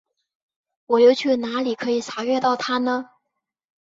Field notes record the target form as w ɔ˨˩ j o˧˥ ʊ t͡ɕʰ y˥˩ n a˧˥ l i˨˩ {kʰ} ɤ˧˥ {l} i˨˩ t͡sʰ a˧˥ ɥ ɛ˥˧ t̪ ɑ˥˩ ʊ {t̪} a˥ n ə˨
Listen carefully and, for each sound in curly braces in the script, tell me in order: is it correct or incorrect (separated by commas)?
correct, incorrect, incorrect